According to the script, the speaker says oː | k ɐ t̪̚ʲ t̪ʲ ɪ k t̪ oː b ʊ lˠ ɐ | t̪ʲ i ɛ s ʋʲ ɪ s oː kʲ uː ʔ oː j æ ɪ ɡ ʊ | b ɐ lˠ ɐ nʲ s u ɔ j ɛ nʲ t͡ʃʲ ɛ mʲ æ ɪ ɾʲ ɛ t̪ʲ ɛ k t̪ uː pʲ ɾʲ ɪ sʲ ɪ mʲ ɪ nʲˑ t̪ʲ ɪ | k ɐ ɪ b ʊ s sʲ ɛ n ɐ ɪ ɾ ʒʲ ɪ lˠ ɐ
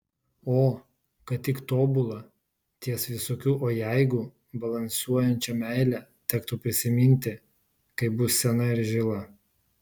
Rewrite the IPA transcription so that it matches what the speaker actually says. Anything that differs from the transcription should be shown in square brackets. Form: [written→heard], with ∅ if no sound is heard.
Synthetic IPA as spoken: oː | k ɐ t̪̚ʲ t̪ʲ ɪ k t̪ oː b ʊ lˠ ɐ | t̪ʲ i ɛ s ʋʲ ɪ s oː kʲ uː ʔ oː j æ ɪ ɡ ʊ | b ɐ lˠ ɐ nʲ s u ɔ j ɛ nʲ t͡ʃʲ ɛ mʲ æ ɪ [ɾʲ→lʲ] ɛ t̪ʲ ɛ k t̪ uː pʲ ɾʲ ɪ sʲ ɪ mʲ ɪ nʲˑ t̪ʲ ɪ | k ɐ ɪ b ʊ s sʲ ɛ n ɐ ɪ ɾ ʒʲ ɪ lˠ ɐ